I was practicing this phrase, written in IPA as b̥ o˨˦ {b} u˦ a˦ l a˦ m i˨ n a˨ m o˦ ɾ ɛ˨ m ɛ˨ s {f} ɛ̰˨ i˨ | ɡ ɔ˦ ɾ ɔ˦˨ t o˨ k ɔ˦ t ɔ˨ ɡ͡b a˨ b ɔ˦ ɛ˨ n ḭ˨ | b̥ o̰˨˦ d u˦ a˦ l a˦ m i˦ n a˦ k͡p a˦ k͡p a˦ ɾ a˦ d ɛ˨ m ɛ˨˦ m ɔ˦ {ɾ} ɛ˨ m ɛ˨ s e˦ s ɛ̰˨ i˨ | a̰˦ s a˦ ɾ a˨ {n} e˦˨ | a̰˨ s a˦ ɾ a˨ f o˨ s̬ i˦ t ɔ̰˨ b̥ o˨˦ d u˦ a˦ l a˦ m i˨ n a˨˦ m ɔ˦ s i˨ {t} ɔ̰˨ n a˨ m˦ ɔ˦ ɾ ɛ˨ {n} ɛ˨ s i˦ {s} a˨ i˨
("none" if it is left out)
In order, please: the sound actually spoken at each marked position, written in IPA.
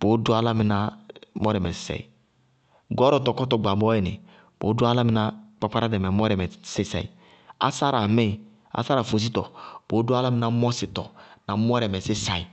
d, s, ɾ, m, t, m, s

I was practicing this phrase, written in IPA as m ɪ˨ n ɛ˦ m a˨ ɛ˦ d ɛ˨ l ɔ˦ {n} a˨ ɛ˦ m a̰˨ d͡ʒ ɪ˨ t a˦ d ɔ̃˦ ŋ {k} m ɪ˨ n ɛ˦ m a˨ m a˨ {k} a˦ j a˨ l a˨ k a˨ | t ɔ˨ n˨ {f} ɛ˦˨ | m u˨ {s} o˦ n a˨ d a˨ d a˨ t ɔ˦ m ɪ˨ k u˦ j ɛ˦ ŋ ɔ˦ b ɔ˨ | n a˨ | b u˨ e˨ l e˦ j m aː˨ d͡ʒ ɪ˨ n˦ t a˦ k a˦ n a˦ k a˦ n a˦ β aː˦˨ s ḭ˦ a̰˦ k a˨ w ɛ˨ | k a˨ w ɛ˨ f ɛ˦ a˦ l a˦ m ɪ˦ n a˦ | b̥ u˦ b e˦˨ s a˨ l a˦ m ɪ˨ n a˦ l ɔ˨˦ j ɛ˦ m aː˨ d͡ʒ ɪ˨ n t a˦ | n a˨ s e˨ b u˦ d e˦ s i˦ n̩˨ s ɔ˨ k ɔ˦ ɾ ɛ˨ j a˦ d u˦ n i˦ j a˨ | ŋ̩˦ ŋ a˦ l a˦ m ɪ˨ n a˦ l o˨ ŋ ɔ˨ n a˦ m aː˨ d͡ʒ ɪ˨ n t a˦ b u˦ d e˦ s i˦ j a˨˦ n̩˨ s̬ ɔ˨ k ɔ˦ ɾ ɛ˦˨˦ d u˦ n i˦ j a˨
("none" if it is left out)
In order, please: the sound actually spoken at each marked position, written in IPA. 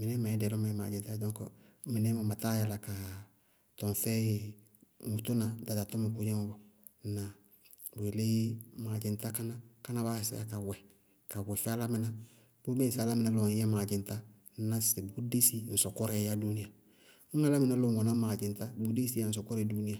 m, k, t, f, t

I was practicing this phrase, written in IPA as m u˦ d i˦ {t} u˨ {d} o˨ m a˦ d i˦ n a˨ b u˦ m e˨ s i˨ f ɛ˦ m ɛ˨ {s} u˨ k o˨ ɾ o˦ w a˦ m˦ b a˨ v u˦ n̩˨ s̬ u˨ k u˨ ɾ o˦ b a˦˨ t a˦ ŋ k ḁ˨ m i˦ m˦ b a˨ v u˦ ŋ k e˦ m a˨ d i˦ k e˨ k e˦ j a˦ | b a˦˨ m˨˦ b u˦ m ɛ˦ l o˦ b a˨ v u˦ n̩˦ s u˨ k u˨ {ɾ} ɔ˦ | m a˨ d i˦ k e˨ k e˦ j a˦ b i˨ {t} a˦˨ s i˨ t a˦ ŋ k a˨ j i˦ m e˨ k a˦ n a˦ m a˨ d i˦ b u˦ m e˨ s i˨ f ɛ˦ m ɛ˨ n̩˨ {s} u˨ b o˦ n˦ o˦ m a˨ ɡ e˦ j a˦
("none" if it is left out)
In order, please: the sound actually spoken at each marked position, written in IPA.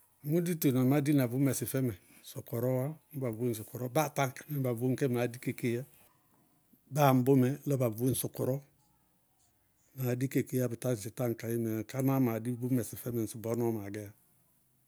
t, n, s, ɾ, t, s

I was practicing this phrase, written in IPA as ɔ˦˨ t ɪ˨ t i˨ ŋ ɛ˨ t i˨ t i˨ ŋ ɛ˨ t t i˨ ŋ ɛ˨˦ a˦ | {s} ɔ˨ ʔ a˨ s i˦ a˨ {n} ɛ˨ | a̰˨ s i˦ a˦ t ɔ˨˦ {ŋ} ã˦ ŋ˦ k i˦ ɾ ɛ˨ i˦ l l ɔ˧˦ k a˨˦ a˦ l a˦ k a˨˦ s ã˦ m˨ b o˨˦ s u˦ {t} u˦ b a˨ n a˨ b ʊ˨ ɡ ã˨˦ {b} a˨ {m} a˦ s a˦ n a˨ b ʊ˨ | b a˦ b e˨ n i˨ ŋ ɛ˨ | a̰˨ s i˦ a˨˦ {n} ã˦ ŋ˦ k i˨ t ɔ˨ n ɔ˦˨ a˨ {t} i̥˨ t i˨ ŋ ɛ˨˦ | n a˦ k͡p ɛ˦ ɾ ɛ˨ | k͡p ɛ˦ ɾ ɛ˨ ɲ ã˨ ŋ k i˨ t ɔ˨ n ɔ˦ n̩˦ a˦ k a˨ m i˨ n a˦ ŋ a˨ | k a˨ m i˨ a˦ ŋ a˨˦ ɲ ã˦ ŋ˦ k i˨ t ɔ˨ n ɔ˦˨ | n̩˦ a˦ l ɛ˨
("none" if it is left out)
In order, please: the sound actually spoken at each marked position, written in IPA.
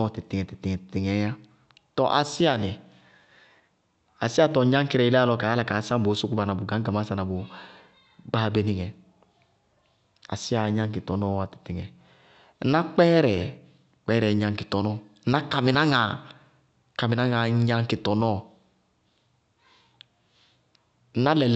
t, n, ɲ, k, ɡ, m, ɲ, t

